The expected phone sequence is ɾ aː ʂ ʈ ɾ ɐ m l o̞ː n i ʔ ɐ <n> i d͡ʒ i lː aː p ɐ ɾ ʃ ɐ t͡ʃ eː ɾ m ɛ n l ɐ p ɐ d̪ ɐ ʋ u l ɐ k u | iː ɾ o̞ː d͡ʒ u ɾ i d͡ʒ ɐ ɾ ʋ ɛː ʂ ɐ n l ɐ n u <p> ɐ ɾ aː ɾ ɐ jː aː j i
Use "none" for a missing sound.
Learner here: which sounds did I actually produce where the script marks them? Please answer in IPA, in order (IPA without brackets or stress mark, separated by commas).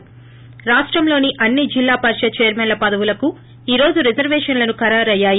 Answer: nː, k